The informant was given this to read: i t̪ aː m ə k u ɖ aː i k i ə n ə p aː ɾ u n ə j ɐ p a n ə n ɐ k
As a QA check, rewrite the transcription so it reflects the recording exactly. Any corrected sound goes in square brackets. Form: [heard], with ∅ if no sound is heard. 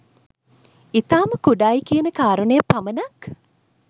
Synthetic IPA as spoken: i t̪ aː m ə k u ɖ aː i k i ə n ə [k] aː ɾ u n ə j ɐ p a [m] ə n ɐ k